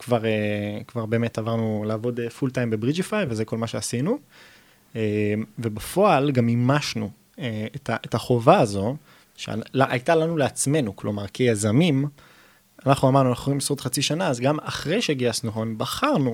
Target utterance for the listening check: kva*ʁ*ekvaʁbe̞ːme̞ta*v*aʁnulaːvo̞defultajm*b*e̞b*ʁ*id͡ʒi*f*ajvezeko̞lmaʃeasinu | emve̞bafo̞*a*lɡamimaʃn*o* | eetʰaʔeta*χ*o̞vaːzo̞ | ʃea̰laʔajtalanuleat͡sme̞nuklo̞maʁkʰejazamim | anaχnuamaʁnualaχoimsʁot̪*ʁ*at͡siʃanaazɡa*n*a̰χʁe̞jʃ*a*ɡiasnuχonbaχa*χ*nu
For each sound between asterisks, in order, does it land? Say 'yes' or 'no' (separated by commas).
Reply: yes, yes, yes, yes, yes, yes, no, yes, no, no, no, no